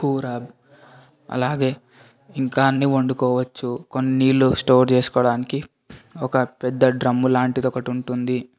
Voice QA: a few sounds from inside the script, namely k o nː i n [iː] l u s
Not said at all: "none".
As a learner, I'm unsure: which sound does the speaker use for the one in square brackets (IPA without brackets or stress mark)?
iː